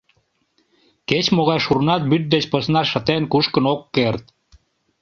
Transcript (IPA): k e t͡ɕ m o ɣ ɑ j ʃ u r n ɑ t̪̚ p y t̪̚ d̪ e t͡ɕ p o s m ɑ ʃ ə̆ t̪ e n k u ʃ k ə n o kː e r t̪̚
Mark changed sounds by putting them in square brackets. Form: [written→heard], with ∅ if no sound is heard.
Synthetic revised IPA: k e t͡ɕ m o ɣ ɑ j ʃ u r n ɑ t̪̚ [p→b] y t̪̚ d̪ e t͡ɕ p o s [m→n] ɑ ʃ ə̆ t̪ e n k u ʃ k ə n o kː e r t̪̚